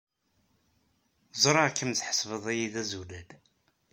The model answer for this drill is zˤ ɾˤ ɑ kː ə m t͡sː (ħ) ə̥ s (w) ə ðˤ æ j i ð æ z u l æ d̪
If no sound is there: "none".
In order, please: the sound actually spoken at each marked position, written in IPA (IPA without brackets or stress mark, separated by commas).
ħ, v